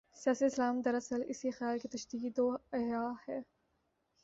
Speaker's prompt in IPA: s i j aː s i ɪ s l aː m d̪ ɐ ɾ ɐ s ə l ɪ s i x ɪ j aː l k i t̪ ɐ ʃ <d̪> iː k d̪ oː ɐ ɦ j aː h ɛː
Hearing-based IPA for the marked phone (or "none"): d̪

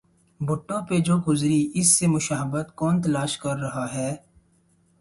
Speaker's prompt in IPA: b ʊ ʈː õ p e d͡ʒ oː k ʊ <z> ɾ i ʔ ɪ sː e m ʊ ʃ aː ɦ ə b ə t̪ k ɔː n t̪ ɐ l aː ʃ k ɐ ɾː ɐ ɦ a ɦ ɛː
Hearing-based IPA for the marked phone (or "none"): z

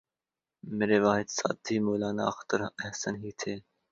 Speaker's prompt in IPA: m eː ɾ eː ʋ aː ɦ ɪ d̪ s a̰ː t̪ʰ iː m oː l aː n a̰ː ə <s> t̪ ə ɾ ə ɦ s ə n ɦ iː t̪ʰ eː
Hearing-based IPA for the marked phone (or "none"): x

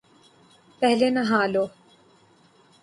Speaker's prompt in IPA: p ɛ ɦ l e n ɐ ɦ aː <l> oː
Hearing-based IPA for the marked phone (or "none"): l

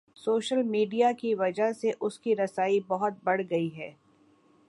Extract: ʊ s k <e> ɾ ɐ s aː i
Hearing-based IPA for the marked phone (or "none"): i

